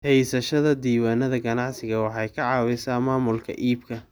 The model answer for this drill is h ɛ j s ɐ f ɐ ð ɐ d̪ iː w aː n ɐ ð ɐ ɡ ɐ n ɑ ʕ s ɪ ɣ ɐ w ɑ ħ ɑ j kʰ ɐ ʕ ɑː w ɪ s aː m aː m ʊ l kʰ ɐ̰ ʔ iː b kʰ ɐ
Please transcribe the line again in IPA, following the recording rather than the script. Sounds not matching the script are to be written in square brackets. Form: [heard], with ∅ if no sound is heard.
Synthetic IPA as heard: h ɛ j s ɐ [ʃ] ɐ ð ɐ d̪ iː w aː n ɐ ð ɐ ɡ ɐ n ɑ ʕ s ɪ ɣ ɐ w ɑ ħ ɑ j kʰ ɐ ʕ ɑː w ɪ s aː m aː m ʊ l kʰ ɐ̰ ʔ iː b kʰ ɐ